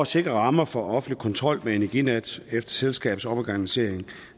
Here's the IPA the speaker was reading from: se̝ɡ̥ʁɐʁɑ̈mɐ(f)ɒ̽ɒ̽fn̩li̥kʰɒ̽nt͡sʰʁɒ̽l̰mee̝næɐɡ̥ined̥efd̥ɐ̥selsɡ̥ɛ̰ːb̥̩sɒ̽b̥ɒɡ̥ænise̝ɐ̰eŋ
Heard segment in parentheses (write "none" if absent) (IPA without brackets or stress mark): f